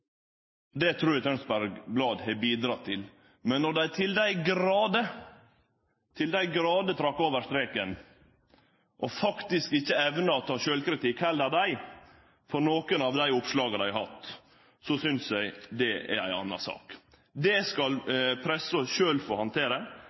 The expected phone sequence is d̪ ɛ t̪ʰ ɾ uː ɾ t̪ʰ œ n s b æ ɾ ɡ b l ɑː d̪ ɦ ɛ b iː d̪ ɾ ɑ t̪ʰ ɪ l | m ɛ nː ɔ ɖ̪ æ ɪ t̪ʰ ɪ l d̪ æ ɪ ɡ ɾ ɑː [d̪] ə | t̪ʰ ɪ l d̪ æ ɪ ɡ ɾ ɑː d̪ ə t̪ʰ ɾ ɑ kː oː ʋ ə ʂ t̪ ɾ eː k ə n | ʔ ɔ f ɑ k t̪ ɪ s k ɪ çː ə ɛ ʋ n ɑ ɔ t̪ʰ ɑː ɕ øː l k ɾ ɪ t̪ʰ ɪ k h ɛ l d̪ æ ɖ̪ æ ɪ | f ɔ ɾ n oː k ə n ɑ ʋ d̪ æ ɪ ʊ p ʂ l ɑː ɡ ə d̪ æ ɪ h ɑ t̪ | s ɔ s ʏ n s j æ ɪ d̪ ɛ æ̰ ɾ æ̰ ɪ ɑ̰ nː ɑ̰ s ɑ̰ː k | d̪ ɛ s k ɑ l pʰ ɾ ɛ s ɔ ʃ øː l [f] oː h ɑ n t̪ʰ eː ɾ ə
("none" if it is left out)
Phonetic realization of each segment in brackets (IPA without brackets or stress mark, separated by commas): d̪, f